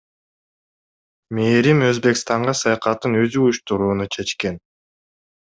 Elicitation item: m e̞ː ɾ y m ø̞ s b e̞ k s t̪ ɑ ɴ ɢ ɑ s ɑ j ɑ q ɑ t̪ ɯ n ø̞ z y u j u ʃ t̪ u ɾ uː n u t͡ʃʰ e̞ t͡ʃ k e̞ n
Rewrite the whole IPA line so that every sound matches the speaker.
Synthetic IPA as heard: m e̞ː ɾ i m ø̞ z b e̞ k s t̪ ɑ ɴ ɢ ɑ s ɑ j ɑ q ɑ t̪ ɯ n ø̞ z y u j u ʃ t̪ u ɾ uː n u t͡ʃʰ e̞ t͡ʃ k e̞ n